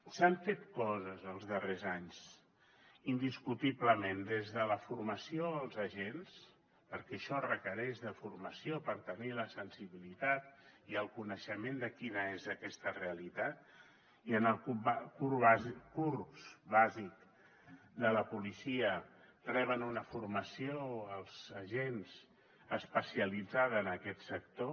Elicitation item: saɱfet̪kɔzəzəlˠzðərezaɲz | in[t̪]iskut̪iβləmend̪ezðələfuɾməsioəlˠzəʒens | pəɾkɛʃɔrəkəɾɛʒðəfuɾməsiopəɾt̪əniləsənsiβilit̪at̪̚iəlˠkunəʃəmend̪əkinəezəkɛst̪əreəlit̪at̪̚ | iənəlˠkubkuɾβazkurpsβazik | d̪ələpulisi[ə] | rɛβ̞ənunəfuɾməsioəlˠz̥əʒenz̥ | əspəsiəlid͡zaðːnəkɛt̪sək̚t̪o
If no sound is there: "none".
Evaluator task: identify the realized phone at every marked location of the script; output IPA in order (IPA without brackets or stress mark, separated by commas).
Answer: d̪, ə